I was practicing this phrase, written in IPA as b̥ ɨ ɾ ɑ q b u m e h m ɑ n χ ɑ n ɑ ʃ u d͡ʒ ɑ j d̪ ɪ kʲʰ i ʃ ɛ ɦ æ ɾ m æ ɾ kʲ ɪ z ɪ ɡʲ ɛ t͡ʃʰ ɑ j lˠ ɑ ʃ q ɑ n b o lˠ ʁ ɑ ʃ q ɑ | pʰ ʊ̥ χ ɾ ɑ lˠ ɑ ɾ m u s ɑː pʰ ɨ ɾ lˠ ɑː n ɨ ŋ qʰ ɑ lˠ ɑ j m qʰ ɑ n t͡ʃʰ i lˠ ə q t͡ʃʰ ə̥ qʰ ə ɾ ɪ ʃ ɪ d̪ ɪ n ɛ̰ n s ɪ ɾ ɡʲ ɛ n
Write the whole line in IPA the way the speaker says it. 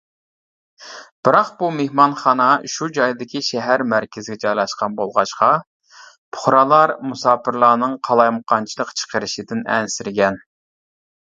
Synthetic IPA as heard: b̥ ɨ ɾ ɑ q b u m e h m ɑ n χ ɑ n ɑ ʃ u d͡ʒ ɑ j d̪ ɪ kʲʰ i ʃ ɛ ɦ æ ɾ m æ ɾ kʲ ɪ z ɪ ɡʲ ɛ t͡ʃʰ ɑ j lˠ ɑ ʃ q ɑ n b o lˠ ʁ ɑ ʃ q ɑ | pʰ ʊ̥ χ ɾ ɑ lˠ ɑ ɾ m u s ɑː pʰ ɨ ɾ lˠ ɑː n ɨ ŋ qʰ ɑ lˠ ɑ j m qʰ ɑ n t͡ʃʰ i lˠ ə q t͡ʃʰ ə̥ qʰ ə ɾ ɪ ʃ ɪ d̪ ɪ n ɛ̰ n s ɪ ɾ ɡʲ ɛ n